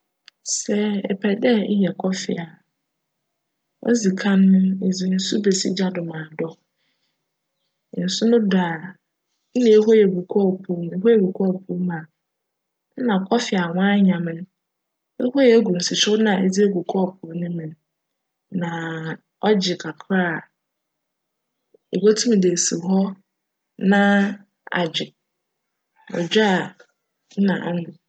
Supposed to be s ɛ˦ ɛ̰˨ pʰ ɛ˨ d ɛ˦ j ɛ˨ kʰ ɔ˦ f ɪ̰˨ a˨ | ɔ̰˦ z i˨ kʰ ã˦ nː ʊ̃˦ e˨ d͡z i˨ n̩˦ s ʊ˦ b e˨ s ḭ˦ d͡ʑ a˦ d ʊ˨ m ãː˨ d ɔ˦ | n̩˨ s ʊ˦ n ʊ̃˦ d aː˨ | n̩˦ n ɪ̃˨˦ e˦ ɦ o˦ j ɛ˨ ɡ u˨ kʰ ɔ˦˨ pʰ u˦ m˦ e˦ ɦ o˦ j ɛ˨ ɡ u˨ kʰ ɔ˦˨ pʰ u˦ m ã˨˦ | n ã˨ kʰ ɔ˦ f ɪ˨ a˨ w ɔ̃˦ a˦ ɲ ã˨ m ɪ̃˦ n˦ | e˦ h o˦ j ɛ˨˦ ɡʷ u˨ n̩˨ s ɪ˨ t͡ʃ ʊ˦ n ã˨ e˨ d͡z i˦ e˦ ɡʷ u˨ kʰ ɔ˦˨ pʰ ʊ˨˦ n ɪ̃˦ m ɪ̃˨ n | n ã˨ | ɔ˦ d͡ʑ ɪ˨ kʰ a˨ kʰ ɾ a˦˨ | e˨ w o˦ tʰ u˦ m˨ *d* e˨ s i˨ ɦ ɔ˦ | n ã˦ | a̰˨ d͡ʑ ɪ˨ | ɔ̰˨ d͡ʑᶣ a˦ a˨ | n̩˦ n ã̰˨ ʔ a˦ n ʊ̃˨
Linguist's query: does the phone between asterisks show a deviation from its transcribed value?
no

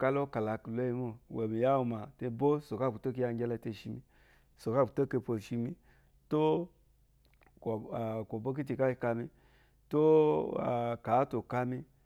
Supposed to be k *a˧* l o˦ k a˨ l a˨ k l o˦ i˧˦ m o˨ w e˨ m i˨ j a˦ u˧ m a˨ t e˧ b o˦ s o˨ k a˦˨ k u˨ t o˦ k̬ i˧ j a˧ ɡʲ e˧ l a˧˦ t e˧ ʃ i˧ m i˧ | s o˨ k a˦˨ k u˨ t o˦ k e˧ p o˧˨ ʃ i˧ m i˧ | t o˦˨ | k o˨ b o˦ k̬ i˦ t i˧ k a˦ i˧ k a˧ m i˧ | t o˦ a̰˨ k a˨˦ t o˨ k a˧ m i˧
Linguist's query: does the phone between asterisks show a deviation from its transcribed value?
no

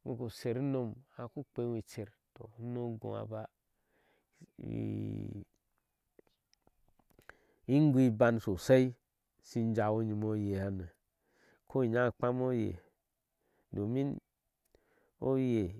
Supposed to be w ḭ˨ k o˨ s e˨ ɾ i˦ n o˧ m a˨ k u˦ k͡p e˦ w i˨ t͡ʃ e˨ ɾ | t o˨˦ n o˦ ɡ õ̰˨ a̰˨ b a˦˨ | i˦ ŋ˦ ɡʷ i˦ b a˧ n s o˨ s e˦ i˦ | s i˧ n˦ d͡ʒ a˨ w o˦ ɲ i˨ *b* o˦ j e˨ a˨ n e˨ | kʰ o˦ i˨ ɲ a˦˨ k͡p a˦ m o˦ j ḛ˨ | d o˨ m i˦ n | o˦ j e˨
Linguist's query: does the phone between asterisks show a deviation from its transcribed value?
yes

